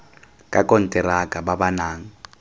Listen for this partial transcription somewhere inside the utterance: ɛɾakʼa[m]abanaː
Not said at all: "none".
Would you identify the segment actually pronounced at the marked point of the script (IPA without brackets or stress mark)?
b